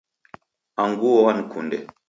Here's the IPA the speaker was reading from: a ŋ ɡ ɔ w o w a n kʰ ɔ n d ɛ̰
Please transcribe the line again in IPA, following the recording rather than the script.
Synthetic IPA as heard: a ŋ ɡ u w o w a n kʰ u n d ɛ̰